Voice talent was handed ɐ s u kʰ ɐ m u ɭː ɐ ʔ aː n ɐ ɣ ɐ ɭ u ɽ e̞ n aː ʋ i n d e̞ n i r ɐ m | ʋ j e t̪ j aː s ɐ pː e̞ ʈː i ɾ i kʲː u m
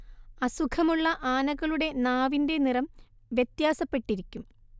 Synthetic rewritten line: ɐ s u kʰ ɐ m u ɭː ɐ ʔ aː n ɐ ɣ ɐ ɭ u ɽ e̞ n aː ʋ i n d e̞ n i r ɐ m | ʋ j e t̪ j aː s ɐ pː e̞ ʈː i ɾ i kʲː u m